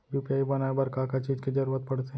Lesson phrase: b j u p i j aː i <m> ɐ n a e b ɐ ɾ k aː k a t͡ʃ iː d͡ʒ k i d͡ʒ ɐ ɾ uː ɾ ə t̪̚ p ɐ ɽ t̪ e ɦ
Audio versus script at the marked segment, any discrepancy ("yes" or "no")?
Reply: yes